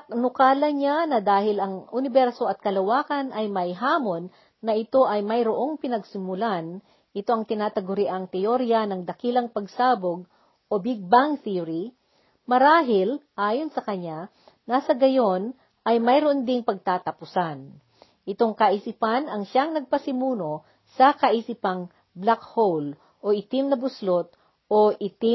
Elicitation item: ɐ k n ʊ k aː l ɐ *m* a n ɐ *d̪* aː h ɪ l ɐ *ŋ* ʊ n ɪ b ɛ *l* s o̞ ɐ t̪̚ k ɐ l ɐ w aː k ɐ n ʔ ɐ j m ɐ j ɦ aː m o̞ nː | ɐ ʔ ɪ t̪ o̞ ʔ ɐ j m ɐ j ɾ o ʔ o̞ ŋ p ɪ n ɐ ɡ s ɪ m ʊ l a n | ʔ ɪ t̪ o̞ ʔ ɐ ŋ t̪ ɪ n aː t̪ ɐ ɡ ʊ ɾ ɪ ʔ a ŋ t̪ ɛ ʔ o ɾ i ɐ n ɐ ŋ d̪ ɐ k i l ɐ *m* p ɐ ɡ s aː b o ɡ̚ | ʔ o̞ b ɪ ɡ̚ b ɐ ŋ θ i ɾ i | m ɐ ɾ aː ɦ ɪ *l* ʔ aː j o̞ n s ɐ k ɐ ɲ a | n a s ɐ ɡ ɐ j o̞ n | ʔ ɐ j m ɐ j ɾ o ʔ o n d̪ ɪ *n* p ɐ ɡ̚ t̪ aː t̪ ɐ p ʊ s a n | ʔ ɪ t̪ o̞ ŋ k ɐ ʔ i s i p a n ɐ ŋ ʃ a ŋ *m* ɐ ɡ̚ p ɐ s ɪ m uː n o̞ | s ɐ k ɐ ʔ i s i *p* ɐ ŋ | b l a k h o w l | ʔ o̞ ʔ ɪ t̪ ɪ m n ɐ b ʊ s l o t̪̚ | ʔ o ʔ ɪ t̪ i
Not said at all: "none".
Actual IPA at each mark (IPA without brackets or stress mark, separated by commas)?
ɲ, d̪, ŋ, ɾ, ŋ, l, ŋ, n, p